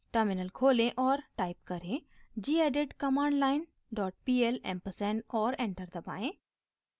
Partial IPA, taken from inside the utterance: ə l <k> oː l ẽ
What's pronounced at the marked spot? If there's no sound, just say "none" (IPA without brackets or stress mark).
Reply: kʰ